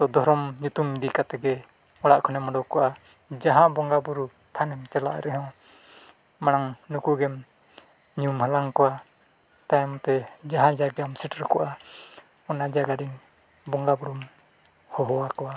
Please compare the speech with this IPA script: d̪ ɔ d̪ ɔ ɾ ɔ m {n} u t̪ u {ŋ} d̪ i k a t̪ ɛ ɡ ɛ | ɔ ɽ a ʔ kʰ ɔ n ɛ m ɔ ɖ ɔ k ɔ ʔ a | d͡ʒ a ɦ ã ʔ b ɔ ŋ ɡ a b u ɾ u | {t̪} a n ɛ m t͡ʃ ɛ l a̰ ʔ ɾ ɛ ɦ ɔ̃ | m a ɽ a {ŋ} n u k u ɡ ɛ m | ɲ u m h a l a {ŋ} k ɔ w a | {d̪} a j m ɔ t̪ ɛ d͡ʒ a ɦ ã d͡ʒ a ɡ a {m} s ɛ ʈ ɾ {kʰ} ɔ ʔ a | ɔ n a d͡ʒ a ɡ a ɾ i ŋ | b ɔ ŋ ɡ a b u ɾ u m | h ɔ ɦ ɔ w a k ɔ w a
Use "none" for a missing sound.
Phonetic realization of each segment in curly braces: ɲ, m, t̪ʰ, ŋ, ŋ, t̪, m, k

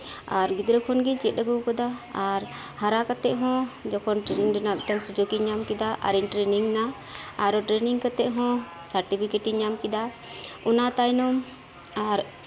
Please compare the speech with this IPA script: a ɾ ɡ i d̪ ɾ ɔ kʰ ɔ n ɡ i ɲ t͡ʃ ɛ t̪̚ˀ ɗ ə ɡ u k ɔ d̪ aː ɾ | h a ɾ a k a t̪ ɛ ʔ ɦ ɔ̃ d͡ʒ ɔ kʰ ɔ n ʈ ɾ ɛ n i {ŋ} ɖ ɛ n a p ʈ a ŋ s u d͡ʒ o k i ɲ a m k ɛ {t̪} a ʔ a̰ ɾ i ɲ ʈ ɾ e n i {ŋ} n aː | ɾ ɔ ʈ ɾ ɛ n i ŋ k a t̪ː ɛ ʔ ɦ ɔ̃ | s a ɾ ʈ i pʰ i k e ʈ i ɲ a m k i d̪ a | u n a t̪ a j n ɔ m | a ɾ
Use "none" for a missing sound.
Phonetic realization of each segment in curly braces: ŋ, d̪, ŋ

